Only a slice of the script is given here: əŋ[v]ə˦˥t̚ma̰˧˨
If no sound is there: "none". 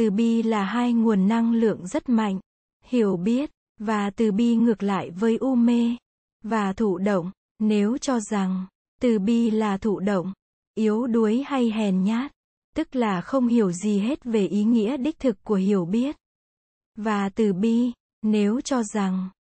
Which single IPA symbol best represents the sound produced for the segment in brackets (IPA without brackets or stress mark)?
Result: z